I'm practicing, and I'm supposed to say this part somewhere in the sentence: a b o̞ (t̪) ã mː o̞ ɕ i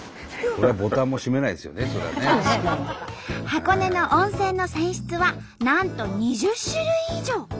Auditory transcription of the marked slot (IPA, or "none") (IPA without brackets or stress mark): t̪